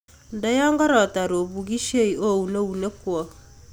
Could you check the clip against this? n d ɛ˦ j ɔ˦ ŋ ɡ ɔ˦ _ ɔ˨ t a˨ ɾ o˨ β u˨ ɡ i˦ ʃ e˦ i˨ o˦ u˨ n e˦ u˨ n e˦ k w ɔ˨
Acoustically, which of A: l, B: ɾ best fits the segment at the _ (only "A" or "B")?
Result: B